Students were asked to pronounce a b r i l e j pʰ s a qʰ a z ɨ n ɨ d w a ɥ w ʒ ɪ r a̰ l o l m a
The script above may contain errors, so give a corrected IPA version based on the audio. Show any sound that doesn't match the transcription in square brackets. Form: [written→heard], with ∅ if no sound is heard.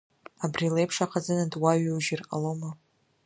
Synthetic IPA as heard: a b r i l e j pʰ [s→ʂ] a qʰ a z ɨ n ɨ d w a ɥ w ʒ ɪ r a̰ l o [l→∅] m a